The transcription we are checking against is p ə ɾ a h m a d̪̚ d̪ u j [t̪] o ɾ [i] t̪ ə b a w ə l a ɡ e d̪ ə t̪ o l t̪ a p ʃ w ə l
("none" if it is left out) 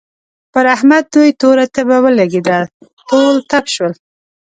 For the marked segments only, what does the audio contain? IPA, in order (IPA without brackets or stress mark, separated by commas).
t̪, a